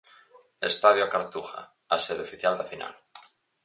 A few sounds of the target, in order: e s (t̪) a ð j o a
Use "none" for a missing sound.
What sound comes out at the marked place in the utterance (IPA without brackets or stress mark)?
t̪